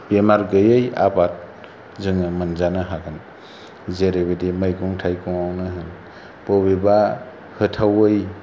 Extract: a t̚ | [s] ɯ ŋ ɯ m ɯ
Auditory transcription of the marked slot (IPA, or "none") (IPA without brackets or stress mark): z